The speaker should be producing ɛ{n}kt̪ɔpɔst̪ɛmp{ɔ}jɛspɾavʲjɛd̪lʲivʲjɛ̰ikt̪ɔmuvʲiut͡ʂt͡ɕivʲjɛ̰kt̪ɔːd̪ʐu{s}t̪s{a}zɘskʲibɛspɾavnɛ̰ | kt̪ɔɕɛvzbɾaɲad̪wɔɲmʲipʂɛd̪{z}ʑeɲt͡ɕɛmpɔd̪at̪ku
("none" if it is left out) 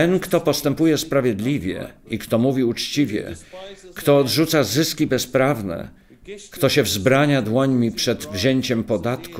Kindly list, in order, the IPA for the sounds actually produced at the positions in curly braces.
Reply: n, u, none, a, v

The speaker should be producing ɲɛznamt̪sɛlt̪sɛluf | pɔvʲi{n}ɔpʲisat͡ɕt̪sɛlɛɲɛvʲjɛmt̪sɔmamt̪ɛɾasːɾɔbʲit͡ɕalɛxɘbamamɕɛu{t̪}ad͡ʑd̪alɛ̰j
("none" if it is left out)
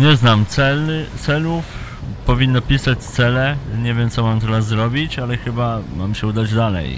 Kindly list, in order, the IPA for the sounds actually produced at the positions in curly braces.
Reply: nː, d̪

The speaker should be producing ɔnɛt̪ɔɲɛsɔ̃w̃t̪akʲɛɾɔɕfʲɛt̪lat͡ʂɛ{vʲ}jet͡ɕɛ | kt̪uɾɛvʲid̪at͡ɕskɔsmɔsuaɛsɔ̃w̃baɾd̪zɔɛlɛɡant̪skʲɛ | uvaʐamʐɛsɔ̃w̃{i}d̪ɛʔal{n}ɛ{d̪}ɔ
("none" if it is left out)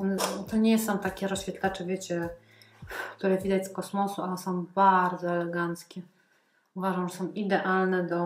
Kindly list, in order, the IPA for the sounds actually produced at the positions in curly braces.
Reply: vʲ, i, n, d̪

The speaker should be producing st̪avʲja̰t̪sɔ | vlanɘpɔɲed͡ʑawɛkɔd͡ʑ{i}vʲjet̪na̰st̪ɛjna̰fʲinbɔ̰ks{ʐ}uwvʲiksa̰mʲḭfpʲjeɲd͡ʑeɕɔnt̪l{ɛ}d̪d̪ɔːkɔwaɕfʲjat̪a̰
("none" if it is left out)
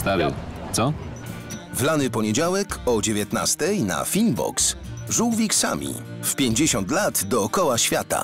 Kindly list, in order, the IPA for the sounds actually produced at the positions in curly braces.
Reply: e, ʐ, a

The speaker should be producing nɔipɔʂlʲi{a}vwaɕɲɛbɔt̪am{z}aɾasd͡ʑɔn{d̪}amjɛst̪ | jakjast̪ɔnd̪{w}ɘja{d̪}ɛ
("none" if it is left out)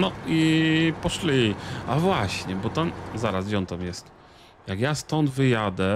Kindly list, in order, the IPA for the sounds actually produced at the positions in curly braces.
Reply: a, z, t̪, v, d̪

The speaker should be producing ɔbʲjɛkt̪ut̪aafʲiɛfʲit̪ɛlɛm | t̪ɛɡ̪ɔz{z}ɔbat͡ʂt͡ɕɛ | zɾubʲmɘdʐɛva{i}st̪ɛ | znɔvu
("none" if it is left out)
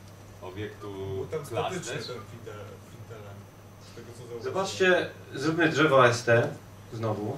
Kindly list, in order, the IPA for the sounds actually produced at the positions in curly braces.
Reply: z, ɛ

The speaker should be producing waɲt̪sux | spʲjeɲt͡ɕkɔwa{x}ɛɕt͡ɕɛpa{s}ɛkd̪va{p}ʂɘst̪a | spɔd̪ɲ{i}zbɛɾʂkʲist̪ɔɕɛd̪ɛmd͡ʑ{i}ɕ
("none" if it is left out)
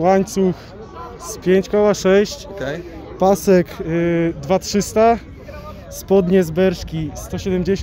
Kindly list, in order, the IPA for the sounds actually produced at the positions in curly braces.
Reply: ʂ, s, t, ɛ, e

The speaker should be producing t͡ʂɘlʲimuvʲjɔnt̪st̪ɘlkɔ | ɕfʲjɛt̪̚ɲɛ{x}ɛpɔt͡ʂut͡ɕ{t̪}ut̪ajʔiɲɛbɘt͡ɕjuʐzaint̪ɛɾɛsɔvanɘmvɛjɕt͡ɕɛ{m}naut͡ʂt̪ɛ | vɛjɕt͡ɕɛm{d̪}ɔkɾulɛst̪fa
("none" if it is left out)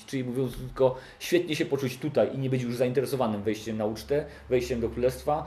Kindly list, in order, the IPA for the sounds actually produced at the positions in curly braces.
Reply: ɕ, t̪, m, d̪

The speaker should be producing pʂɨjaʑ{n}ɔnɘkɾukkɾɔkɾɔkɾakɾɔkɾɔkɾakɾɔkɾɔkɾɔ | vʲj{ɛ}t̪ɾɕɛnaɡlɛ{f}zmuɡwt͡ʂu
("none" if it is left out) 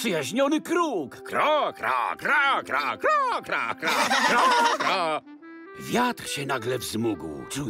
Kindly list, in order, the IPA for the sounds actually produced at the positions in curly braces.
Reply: ɲ, a, v

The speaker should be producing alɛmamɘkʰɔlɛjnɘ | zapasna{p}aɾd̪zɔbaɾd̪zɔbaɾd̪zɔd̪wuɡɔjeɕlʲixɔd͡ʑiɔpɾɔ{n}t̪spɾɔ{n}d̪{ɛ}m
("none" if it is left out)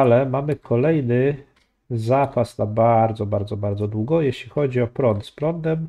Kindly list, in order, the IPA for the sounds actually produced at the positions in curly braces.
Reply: b, n, n, ɛ

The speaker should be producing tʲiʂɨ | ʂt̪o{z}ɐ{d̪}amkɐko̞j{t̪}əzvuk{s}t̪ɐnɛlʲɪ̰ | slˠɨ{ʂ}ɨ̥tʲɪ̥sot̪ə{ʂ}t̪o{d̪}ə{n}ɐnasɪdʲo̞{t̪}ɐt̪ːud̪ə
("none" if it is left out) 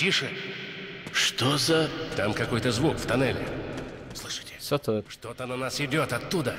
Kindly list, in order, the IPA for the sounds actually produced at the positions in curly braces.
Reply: z, t̪, t̪, f, ʂ, ʂ, t̪, n, t̪

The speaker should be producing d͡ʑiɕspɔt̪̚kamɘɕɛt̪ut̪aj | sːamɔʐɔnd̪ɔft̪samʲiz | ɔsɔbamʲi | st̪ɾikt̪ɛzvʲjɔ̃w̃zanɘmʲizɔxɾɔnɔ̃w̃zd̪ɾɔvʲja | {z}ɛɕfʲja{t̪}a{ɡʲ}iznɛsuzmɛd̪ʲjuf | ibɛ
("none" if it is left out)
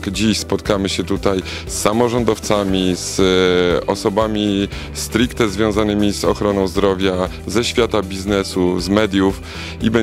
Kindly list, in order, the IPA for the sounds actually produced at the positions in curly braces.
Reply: z, t̪, bʲ

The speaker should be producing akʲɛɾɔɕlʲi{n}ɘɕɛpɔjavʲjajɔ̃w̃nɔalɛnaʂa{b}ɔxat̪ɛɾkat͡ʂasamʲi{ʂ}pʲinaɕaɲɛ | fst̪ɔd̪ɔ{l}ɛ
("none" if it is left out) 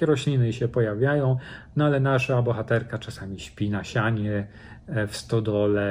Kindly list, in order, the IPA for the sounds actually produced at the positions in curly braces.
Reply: n, b, ɕ, l

